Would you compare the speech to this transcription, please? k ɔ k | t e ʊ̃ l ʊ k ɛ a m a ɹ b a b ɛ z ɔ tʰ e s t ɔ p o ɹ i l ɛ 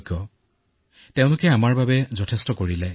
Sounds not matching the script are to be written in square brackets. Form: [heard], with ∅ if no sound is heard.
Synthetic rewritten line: k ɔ [∅] | t e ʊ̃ l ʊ k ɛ a m a ɹ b a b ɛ z ɔ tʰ e s t ɔ [k] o ɹ i l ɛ

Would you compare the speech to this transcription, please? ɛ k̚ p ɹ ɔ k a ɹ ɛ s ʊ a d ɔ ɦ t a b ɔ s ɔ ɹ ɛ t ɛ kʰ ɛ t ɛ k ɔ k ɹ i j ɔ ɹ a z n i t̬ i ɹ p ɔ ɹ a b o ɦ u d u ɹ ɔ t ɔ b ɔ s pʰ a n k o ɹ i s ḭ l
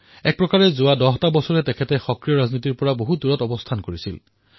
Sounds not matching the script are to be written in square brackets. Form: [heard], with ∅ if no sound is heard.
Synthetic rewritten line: ɛ k̚ p ɹ ɔ k a ɹ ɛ [z] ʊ a d ɔ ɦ t a b ɔ s ɔ ɹ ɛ t ɛ kʰ ɛ t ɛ [x] ɔ k ɹ i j ɔ ɹ a z n i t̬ i ɹ p ɔ ɹ a b o ɦ u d u ɹ ɔ t ɔ b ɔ s [tʰ] a n k o ɹ i s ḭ l

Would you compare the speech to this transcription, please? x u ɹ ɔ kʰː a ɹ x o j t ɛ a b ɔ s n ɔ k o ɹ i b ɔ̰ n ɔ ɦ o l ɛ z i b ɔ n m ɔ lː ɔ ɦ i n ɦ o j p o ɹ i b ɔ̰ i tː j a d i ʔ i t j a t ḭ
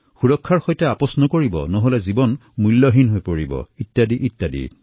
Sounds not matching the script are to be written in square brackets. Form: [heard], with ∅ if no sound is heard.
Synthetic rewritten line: x u ɹ ɔ kʰː a ɹ x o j t ɛ a [p] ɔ s n ɔ k o ɹ i b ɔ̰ n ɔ ɦ o l ɛ z i b ɔ n m [u] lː ɔ ɦ i n ɦ o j p o ɹ i b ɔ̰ i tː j a d i ʔ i t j a [d] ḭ

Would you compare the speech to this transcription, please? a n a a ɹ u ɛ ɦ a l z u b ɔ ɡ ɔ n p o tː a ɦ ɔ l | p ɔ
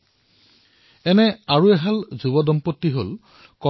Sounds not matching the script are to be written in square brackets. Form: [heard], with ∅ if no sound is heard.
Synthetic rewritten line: [ɛ] n [ɛ] a ɹ u ɛ ɦ a l z u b ɔ [d] ɔ [m] p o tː [i] ɦ [o] l | [k] ɔ

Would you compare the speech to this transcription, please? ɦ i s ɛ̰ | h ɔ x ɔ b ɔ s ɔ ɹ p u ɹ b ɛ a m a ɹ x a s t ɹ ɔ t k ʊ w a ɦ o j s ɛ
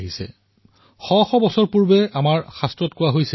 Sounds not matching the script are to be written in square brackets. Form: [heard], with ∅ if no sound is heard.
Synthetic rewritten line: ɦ i s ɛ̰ | [x] ɔ x ɔ b ɔ s ɔ ɹ p u ɹ b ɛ a m a ɹ x a s t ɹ ɔ t k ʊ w a ɦ o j s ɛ

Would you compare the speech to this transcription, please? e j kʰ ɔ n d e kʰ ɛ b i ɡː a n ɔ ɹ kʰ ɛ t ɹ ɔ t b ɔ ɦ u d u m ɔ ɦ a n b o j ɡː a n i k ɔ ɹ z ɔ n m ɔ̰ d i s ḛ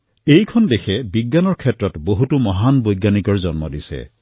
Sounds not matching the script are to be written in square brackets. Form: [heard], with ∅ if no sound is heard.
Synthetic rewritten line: e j kʰ ɔ n d e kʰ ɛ b i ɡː a n ɔ ɹ kʰ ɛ t ɹ ɔ t b [o] ɦ u [t] u m ɔ ɦ a n b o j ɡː a n i k ɔ ɹ z ɔ n m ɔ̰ d i s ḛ

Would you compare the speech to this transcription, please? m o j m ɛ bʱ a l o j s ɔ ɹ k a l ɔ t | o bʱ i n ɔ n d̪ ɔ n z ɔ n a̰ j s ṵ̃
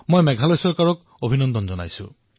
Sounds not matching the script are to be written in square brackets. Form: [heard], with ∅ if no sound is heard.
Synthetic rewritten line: m o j m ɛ [ɡʱ] a l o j s ɔ ɹ k a [ɹ] ɔ [k] | o bʱ i n ɔ n d̪ ɔ n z ɔ n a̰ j s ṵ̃

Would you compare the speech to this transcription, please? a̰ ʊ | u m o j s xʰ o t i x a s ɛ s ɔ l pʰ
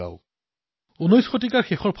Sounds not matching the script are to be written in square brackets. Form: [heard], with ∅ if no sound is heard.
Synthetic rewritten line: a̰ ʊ | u [n] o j s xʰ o t i [k] a [x] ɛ [x] ɔ [ɹ] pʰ

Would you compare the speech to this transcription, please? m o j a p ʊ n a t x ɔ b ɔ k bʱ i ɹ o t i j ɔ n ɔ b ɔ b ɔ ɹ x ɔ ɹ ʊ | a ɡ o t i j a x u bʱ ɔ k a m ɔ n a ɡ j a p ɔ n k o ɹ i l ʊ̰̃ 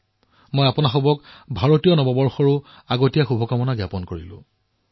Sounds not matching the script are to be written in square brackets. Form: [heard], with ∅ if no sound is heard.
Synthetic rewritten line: m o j a p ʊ n a [∅] x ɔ b ɔ k bʱ [a] ɹ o t i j ɔ n ɔ b ɔ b ɔ ɹ x ɔ ɹ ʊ | a ɡ o t i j a x u bʱ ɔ k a m ɔ n a ɡ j a p ɔ n k o ɹ i l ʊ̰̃

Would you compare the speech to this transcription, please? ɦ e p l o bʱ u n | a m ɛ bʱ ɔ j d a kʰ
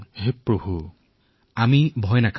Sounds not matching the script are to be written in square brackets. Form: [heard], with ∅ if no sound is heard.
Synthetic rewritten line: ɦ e p [ɹ] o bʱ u [∅] | a m [i] bʱ ɔ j [n] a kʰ

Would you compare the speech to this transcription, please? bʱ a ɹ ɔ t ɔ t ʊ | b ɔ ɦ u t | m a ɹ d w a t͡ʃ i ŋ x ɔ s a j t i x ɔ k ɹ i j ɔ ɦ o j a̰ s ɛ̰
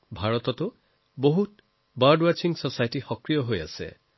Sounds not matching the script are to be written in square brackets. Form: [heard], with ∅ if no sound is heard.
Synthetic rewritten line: bʱ a ɹ ɔ t ɔ t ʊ | b [o] ɦ u t | [b] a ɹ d w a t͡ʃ i ŋ [s] ɔ s a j t i x ɔ k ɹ i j ɔ ɦ o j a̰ s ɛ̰

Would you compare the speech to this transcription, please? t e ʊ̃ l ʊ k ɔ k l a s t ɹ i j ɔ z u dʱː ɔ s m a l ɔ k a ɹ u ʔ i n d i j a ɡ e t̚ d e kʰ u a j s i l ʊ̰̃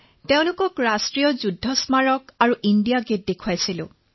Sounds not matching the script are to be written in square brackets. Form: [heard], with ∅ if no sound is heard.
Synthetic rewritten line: t e ʊ̃ l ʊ k ɔ k [ɹ] a s t ɹ i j ɔ z u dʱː ɔ s m a [ɹ] ɔ k a ɹ u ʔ i n d i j a ɡ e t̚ d e kʰ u a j s i l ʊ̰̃

